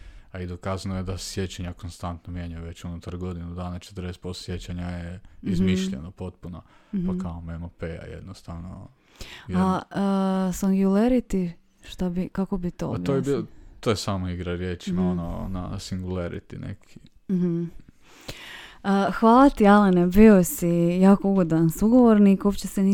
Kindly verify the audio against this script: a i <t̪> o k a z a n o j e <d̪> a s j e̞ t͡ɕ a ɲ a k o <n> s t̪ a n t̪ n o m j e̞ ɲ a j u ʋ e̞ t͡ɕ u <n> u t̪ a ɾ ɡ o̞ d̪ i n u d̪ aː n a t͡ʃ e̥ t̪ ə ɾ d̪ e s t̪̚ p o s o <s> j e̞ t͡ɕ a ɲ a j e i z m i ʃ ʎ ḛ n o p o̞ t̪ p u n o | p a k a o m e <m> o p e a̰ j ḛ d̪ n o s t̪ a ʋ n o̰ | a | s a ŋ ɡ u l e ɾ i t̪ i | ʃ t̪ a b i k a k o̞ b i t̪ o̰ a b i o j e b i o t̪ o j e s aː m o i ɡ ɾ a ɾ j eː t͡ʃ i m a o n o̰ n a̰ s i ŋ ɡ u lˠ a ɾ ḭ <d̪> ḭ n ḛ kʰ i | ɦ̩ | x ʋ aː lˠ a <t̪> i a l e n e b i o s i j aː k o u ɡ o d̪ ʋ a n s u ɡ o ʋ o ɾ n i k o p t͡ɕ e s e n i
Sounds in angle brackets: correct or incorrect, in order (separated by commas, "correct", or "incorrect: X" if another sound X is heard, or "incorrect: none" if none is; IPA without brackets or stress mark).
incorrect: d̪, correct, correct, correct, correct, correct, incorrect: t̪, correct